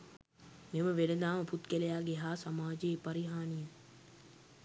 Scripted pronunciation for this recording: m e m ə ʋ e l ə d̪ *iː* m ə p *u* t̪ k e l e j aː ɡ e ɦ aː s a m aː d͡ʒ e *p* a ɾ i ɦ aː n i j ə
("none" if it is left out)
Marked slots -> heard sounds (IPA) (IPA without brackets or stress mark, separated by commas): aː, u, p